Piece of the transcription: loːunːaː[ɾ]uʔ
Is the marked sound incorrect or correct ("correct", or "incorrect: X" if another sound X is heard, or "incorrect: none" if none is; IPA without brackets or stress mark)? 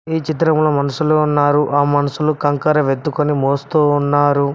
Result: correct